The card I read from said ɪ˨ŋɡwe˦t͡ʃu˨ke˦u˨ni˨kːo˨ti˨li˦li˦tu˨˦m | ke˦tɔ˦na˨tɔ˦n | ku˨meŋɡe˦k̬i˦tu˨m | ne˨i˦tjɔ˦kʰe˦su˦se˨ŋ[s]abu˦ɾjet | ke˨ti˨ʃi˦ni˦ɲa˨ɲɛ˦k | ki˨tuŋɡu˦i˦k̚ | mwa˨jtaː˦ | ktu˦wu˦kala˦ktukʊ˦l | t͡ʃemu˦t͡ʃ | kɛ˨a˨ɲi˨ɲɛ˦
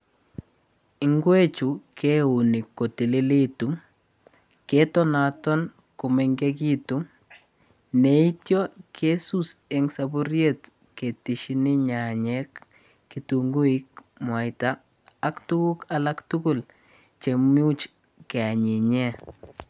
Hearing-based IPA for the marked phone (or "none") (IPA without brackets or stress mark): s